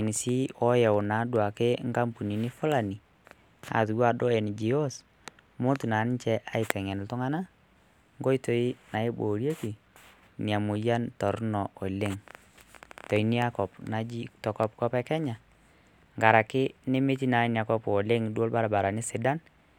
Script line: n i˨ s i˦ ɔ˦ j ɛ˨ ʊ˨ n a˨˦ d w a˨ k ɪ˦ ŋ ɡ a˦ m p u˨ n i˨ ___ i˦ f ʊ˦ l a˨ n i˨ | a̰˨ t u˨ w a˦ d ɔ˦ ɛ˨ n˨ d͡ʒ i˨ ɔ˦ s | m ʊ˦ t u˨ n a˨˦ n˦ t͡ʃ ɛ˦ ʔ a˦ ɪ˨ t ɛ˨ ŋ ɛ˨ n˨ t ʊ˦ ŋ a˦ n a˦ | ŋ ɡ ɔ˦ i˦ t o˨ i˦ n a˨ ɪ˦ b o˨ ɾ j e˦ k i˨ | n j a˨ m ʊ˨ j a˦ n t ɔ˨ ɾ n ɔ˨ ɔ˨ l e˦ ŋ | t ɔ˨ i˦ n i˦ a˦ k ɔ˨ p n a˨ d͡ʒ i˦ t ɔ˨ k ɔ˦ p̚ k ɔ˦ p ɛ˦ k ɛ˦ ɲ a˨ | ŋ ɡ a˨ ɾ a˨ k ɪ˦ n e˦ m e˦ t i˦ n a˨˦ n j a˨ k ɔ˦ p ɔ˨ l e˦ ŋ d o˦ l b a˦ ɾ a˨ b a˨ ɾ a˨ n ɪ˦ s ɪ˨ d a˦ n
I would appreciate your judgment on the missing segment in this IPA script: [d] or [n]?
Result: n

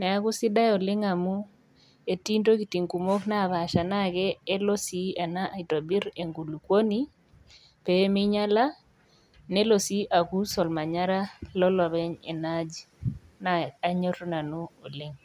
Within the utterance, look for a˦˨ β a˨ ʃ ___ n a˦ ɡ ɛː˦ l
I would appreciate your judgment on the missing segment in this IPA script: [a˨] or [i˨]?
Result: a˨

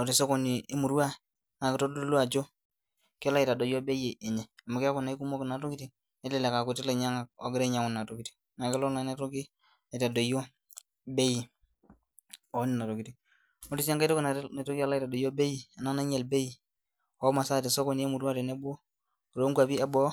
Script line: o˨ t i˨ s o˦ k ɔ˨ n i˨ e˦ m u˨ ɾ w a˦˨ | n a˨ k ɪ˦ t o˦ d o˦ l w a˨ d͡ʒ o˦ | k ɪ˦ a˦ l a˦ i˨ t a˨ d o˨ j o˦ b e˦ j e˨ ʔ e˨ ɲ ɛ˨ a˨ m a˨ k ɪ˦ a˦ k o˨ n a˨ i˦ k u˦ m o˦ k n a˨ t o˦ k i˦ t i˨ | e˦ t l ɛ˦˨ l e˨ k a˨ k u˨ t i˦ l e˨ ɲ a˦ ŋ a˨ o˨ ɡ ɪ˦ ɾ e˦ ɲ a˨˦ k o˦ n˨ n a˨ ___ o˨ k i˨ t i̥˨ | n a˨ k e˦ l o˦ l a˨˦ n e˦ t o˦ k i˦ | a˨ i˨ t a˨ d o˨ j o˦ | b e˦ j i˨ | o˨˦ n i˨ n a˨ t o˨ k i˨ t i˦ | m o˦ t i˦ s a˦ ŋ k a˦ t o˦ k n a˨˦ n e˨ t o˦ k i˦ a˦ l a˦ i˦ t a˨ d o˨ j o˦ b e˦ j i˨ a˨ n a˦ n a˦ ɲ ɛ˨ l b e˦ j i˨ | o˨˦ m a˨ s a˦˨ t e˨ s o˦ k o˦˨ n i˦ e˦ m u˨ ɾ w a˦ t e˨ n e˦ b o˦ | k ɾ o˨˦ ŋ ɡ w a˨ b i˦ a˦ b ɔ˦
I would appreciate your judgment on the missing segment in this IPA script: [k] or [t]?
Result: t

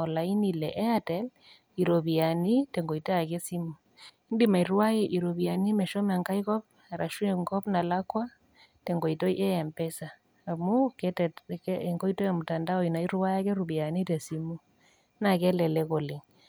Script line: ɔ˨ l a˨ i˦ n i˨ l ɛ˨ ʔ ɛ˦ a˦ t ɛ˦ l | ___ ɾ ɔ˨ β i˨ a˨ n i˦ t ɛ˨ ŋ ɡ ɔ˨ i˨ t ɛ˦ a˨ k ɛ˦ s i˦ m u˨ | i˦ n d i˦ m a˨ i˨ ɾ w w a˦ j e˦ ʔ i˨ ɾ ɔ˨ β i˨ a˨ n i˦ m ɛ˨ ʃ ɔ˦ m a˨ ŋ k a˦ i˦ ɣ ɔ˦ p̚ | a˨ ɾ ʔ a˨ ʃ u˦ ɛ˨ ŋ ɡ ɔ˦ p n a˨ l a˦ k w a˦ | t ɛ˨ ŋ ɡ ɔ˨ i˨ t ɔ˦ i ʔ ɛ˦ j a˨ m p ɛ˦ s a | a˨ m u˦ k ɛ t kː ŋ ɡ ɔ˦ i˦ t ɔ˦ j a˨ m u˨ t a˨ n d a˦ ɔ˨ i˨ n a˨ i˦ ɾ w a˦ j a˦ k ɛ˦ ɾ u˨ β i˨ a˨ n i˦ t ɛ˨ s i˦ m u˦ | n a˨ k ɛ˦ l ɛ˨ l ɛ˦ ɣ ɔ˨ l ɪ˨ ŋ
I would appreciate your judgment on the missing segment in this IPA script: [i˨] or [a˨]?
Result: i˨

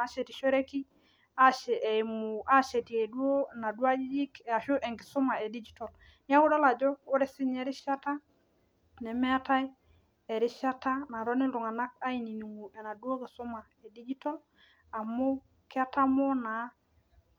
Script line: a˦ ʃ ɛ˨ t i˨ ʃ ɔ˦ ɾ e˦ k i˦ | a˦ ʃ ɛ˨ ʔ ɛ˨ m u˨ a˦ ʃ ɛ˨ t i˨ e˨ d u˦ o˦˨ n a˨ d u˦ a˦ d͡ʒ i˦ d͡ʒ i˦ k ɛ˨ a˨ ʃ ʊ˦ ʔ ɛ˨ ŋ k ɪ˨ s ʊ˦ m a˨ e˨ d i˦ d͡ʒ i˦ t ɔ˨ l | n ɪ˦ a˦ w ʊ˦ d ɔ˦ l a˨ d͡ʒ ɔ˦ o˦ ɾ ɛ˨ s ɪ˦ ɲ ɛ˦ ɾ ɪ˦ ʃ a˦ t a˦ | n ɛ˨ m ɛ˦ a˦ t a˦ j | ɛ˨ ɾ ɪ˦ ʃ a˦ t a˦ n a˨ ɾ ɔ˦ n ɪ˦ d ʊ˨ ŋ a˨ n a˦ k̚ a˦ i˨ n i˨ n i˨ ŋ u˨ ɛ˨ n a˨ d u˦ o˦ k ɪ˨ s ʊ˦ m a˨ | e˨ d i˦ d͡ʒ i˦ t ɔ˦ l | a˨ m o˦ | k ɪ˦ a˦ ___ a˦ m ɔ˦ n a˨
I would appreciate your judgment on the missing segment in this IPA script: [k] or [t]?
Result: t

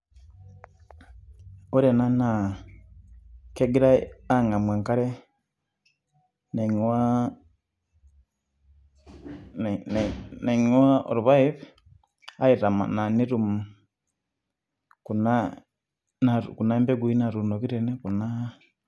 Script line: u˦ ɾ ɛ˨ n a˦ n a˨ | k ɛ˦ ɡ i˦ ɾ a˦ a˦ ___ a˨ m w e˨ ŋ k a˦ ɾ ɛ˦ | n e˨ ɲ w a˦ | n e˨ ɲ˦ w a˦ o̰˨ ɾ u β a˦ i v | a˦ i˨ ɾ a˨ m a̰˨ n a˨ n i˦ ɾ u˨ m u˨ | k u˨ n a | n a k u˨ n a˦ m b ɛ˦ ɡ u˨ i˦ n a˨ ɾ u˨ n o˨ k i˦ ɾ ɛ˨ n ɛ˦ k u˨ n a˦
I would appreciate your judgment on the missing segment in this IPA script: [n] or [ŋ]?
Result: ŋ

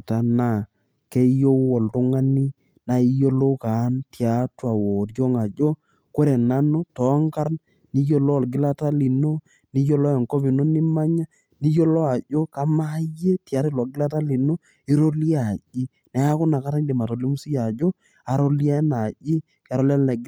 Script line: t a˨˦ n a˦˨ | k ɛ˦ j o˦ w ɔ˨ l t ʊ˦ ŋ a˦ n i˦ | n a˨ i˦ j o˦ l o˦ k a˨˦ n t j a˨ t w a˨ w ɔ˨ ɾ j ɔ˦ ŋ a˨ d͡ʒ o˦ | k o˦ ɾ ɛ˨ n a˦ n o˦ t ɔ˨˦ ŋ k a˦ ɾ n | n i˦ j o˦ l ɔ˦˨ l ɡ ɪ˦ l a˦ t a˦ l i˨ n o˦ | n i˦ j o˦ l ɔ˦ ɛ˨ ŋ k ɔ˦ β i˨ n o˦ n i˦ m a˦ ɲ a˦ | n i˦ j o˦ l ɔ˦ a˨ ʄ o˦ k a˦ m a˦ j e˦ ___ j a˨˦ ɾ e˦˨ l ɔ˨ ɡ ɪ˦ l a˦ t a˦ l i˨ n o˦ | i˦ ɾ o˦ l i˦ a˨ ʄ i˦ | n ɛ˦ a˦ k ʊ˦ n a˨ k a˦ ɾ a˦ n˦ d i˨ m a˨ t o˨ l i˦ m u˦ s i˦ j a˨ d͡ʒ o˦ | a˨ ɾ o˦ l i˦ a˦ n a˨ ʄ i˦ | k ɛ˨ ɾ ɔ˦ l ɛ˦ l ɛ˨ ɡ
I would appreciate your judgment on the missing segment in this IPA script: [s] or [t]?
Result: t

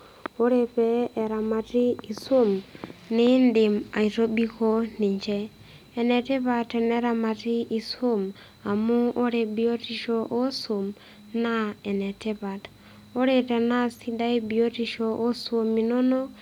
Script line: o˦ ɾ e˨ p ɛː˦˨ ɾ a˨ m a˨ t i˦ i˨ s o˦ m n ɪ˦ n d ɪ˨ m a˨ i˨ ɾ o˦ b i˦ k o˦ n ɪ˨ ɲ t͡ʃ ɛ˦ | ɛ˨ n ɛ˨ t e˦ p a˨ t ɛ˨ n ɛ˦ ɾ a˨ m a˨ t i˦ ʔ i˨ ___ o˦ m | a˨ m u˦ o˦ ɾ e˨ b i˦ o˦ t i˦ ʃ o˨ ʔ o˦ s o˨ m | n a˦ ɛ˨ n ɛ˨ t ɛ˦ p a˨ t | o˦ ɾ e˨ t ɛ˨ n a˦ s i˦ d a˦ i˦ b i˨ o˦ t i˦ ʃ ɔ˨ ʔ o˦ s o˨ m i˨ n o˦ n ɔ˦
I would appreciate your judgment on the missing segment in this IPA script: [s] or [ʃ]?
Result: s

